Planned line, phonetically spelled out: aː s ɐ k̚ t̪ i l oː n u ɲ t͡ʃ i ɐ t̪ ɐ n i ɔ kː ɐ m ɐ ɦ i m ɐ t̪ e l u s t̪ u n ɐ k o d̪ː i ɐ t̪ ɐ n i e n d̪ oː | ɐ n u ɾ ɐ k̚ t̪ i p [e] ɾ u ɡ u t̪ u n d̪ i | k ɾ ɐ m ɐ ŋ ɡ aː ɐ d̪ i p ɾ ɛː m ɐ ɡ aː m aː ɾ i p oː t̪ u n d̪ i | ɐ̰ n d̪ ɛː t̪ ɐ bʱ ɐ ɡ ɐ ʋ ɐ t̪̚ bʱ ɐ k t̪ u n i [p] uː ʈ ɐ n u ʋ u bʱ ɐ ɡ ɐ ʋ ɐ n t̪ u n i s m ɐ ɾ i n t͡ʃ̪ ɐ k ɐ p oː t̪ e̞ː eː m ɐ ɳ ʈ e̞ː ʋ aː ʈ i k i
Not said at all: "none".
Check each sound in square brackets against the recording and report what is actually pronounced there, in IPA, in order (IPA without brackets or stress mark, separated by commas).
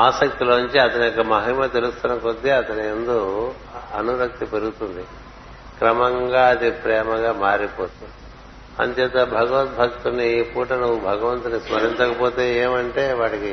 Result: e, p